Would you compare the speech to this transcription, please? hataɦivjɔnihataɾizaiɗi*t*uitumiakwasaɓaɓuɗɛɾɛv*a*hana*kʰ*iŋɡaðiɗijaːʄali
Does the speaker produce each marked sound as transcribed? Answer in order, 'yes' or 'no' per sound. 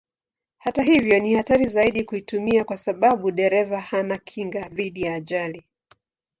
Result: no, yes, yes

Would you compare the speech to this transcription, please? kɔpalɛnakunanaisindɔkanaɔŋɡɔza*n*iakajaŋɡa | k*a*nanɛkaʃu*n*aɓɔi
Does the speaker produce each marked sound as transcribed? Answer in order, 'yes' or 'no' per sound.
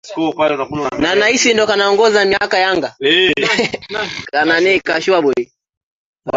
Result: no, yes, no

